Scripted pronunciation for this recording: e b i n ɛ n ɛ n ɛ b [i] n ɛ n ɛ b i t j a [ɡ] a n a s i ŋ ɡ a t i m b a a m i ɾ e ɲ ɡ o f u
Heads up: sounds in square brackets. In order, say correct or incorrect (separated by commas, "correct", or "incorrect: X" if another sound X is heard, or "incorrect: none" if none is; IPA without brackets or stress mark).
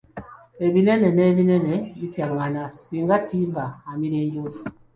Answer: correct, incorrect: ŋ